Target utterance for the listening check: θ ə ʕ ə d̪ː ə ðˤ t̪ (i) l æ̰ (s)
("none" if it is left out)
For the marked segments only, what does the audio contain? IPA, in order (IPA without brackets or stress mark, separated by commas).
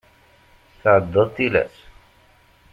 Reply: i, s